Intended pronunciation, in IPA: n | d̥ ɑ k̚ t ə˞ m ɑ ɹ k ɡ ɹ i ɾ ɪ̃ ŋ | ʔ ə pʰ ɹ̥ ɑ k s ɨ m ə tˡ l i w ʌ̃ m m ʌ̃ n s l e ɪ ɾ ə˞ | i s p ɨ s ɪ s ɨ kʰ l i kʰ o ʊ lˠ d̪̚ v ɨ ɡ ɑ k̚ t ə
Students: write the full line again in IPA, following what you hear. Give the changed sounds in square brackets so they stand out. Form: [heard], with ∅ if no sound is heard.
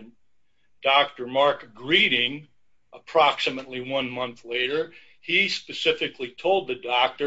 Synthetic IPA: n | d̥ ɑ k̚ t ə˞ m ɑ ɹ k ɡ ɹ i ɾ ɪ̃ ŋ | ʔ ə pʰ ɹ̥ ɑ k s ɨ m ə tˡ l i w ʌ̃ [n] m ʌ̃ n [θ] l e ɪ ɾ ə˞ | i s p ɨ s ɪ [f] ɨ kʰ l i [tʰ] o ʊ lˠ d̪̚ [ð] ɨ [d] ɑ k̚ t ə